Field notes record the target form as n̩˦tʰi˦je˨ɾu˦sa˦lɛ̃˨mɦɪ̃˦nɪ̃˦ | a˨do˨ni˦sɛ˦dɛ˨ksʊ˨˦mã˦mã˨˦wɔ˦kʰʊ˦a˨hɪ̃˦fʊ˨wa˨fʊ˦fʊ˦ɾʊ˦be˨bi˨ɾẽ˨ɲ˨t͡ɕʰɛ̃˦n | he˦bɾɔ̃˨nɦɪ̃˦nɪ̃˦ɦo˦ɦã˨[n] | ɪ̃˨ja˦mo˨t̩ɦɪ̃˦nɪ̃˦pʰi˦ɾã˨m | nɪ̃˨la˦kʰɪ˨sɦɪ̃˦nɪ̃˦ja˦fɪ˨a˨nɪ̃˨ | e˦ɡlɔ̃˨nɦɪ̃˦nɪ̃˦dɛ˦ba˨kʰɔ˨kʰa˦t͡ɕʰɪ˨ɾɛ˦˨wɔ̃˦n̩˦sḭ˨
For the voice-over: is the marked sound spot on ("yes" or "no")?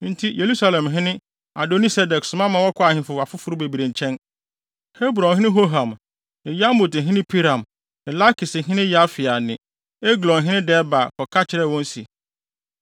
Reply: no